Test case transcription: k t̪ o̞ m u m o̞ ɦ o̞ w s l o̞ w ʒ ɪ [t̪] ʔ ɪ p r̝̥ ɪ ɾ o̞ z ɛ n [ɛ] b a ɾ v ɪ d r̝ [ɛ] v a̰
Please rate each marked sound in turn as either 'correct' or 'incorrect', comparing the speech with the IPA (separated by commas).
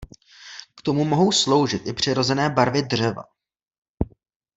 correct, incorrect, correct